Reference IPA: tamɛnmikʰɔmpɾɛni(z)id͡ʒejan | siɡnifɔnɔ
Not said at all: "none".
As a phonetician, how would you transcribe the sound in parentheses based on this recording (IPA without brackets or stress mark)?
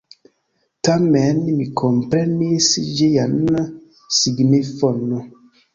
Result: s